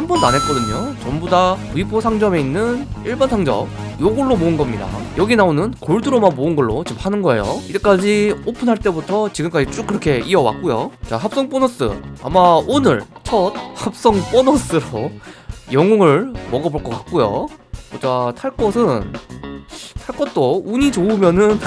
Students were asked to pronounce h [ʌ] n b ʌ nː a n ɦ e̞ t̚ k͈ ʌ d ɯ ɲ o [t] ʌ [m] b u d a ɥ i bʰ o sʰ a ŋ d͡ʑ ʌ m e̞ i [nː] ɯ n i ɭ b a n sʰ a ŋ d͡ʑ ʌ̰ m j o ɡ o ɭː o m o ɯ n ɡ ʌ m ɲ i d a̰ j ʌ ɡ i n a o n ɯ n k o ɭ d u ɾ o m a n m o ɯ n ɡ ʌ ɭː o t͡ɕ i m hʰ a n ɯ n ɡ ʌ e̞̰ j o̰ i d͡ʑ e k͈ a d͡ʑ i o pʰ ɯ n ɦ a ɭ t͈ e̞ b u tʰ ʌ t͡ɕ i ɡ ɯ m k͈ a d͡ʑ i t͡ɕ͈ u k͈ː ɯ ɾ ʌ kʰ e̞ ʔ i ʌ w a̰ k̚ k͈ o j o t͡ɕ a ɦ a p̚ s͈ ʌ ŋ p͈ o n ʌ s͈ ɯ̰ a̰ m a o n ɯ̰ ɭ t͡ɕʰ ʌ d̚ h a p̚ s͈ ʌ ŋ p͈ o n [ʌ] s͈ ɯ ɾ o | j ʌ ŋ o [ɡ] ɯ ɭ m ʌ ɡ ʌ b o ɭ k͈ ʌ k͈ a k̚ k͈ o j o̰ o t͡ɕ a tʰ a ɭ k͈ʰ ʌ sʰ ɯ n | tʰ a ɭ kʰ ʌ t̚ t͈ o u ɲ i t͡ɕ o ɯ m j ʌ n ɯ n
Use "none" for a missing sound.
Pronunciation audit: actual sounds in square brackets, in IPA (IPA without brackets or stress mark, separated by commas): a, t͡ɕ, m, nː, ʌ, ŋ